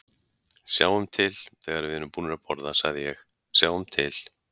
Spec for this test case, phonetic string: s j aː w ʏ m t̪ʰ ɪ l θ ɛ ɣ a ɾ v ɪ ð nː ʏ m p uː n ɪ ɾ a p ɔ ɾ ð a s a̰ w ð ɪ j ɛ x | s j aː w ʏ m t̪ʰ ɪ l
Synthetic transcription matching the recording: s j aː w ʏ m t̪ʰ ɪ l θ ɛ ɣ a ɾ v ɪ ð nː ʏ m p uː n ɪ ɾ a p ɔ ɾ ð a s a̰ ɣ ð ɪ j ɛ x | s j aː w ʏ m t̪ʰ ɪ l